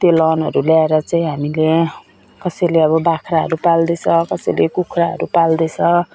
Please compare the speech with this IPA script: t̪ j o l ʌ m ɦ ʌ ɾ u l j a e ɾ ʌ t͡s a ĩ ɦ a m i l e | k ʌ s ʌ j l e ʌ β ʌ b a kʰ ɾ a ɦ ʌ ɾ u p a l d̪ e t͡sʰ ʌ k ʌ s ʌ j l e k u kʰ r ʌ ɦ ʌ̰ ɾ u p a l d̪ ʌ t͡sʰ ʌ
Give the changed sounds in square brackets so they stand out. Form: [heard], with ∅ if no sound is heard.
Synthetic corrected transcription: t̪ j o l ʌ [n] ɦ ʌ ɾ u l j a e ɾ ʌ t͡s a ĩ ɦ a m i l e | k ʌ s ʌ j l e ʌ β ʌ b a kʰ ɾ a ɦ ʌ ɾ u p a l d̪ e t͡sʰ ʌ k ʌ s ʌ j l e k u kʰ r [a] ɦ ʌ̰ ɾ u p a l d̪ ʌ t͡sʰ ʌ